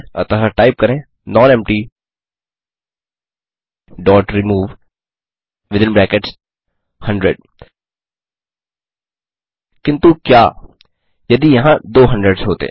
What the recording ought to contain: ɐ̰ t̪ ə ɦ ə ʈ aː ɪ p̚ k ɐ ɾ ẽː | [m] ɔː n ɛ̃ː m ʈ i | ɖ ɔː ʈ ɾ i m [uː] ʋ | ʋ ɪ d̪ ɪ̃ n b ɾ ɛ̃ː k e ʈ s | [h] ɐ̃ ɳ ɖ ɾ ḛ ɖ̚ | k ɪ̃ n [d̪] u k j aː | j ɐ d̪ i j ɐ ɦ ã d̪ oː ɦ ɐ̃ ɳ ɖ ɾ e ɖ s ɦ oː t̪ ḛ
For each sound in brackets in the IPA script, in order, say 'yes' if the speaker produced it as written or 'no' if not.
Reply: no, yes, yes, no

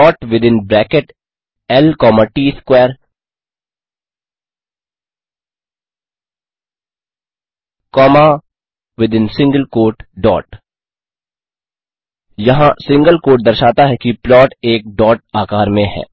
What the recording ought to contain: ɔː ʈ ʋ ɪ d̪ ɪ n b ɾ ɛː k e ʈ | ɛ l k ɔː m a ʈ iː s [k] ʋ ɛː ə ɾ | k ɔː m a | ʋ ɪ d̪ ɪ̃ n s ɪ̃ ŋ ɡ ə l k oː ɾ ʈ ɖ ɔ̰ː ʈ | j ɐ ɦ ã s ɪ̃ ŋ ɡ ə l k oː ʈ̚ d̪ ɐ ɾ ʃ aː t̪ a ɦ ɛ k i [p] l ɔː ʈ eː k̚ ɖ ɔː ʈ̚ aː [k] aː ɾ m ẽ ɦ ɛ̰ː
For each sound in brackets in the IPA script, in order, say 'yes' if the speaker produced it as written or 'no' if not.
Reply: yes, yes, yes

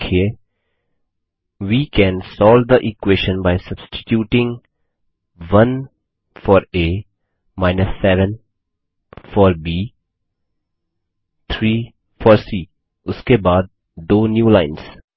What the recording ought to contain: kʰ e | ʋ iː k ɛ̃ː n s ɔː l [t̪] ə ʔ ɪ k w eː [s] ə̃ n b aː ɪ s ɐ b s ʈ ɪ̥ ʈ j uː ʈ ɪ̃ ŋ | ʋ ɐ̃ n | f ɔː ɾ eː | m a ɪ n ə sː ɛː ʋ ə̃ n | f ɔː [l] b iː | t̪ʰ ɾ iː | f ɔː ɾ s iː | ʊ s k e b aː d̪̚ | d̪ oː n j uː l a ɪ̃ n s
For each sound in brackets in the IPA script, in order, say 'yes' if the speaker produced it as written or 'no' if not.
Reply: no, no, no

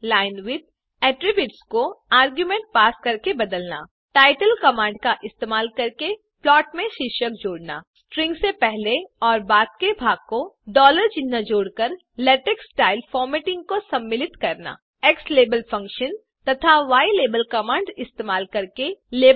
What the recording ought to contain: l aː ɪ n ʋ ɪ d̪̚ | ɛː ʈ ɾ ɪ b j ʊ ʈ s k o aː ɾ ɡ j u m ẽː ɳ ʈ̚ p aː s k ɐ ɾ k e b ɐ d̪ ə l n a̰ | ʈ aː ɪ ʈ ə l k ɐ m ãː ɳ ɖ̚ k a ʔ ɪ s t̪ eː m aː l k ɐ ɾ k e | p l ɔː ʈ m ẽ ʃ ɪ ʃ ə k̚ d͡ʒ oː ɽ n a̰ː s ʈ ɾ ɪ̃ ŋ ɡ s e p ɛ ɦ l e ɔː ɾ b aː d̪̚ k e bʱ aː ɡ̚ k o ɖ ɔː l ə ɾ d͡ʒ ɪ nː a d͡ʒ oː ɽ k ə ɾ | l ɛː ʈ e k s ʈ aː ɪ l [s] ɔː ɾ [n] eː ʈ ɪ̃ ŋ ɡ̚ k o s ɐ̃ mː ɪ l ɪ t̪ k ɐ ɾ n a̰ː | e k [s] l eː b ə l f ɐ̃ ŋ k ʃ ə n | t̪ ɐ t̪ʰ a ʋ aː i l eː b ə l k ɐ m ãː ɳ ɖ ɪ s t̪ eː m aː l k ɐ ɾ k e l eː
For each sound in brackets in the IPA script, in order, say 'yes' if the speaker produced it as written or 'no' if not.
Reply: no, no, yes

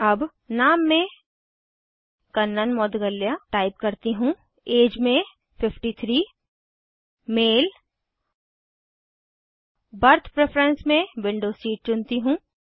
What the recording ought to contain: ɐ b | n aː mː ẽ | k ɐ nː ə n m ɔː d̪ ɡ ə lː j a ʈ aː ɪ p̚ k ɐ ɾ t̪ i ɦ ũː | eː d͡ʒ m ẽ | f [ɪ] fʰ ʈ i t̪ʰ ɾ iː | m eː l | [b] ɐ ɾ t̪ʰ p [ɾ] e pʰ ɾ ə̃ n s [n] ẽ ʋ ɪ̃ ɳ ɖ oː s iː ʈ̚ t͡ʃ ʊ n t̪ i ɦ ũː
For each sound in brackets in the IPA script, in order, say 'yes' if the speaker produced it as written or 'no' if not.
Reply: yes, yes, yes, no

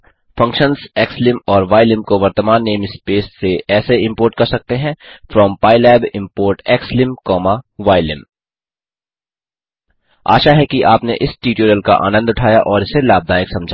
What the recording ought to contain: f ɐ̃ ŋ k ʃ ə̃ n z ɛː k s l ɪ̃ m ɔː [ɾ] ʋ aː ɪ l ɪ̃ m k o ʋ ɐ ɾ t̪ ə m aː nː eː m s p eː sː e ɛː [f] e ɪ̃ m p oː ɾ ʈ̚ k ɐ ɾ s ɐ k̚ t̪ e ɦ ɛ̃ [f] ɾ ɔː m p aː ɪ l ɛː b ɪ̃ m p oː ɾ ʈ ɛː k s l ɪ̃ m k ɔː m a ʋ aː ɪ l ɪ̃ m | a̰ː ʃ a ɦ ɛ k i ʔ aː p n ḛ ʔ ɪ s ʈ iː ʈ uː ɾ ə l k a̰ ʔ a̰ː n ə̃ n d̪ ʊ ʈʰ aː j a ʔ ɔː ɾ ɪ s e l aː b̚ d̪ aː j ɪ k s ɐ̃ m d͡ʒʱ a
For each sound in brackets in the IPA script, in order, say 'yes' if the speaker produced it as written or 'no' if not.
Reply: yes, no, yes

